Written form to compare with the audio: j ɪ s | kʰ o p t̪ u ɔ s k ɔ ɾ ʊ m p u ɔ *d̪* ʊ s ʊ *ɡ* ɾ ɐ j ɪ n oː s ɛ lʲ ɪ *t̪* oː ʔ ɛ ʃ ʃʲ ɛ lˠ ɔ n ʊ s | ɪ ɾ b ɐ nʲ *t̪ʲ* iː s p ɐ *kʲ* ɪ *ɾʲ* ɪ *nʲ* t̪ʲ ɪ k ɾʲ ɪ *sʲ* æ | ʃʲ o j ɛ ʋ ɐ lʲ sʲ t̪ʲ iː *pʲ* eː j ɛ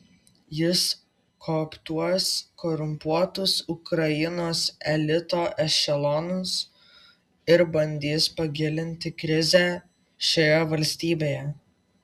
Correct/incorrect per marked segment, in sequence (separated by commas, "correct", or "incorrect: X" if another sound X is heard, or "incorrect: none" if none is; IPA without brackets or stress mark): incorrect: t̪, incorrect: k, correct, incorrect: d̪ʲ, incorrect: ɡʲ, incorrect: lʲ, correct, incorrect: zʲ, incorrect: bʲ